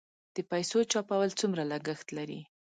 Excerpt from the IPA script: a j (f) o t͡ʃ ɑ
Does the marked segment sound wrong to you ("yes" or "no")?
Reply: yes